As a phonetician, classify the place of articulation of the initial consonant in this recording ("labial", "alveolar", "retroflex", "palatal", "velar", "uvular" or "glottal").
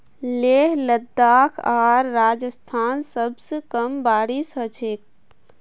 alveolar